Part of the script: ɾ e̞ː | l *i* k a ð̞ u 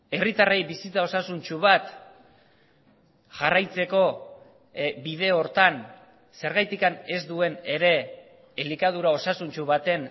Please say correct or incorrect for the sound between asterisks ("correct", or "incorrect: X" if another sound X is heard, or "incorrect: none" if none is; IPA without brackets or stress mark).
correct